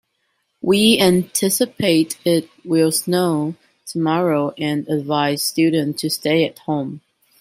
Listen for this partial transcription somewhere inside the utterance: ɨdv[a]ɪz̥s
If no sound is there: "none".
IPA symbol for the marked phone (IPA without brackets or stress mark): a